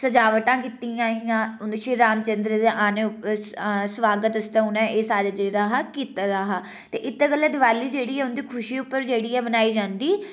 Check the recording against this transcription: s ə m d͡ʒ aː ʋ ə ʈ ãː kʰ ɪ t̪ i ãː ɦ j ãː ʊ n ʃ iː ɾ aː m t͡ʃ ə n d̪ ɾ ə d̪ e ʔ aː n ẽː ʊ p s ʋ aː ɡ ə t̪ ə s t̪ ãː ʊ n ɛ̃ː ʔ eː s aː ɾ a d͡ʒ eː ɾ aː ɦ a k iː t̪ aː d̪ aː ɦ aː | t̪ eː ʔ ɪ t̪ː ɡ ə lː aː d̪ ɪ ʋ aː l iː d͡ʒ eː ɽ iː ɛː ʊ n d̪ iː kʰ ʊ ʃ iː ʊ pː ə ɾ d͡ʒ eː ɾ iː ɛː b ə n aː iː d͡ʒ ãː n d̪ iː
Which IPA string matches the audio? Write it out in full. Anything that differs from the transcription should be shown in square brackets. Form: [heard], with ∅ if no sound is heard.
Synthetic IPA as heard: s ə [∅] d͡ʒ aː ʋ ə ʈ ãː [k] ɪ t̪ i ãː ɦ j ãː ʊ n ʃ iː ɾ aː m t͡ʃ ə n d̪ ɾ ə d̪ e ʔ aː n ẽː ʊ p s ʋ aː ɡ ə t̪ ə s t̪ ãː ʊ n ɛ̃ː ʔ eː s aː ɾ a d͡ʒ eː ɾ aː ɦ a k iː t̪ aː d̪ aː ɦ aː | t̪ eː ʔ ɪ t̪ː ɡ ə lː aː d̪ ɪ ʋ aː l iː d͡ʒ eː ɽ iː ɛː ʊ n d̪ iː kʰ ʊ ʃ iː ʊ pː ə ɾ d͡ʒ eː [ɽ] iː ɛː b ə n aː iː d͡ʒ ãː n d̪ iː

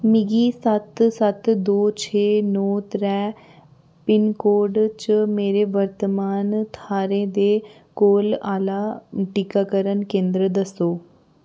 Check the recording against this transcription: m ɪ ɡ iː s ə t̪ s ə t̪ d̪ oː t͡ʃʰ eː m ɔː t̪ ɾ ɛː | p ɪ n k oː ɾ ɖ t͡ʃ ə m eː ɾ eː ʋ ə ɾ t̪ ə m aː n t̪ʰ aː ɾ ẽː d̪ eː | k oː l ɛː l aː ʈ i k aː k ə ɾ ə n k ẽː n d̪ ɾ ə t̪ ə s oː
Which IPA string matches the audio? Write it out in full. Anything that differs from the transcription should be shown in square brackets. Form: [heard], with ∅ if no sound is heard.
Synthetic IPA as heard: m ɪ ɡ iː s ə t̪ s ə t̪ d̪ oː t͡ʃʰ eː [n] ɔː t̪ ɾ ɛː | p ɪ n k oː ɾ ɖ t͡ʃ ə m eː ɾ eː ʋ ə ɾ t̪ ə m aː n t̪ʰ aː ɾ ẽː d̪ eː | k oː l [aː] l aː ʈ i k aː k ə ɾ ə n k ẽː n d̪ ɾ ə [d̪] ə s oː

